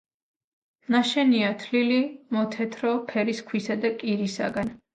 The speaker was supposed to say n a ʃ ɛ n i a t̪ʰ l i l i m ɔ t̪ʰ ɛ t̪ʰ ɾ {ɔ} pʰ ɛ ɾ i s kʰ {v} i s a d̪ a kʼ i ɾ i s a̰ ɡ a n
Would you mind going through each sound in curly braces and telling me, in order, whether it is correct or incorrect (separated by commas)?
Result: correct, incorrect